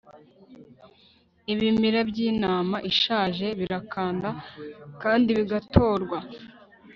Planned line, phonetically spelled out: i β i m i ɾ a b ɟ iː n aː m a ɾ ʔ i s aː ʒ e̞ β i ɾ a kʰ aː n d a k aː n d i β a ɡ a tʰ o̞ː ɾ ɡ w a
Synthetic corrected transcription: i β i m i ɾ a b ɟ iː n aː m a ʔ i ʃ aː ʒ e̞ β i ɾ a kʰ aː n d a k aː n d i β i ɡ a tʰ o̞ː ɾ ɡ w a